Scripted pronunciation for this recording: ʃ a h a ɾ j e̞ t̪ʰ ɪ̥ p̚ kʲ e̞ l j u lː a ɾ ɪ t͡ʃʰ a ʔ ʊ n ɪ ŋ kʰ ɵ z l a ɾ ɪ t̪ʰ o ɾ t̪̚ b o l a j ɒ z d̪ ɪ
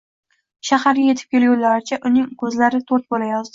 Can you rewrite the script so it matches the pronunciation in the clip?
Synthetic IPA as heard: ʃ a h a ɾ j e̞ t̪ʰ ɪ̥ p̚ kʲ e̞ l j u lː a ɾ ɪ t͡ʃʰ a ʔ ʊ n ɪ ŋ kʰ ɵ z l a ɾ ɪ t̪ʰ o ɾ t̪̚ b o l a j ɒ z d̪ ɪ